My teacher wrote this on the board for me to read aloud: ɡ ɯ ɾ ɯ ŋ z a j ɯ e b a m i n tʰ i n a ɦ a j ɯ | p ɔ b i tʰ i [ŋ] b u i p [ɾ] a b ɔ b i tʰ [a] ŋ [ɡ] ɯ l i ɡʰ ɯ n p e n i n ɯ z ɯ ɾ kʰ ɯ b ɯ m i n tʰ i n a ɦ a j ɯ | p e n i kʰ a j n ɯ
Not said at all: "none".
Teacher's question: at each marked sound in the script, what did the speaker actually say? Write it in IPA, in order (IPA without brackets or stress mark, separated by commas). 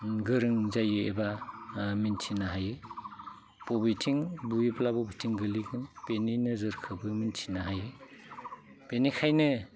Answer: ŋ, l, i, ɡ